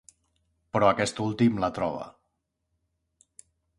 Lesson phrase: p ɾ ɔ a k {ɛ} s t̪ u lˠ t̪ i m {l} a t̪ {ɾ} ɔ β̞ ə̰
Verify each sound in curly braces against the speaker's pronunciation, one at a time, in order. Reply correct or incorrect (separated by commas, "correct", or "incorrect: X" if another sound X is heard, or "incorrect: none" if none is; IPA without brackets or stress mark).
correct, correct, correct